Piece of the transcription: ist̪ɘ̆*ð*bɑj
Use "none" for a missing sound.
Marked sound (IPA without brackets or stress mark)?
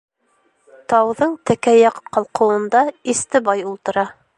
none